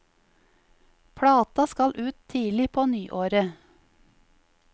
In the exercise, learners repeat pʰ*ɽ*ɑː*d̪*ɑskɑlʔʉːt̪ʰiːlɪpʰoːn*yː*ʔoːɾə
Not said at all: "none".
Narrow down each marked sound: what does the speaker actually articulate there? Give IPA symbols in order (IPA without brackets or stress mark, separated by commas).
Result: ɽ, t̪, yː